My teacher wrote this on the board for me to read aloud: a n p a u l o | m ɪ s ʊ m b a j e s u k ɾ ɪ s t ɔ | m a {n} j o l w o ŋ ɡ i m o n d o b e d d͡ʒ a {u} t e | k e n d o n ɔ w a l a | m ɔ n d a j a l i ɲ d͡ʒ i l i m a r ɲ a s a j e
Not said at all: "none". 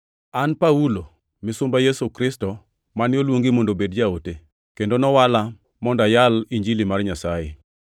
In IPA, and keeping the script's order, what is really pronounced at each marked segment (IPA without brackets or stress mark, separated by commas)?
n, o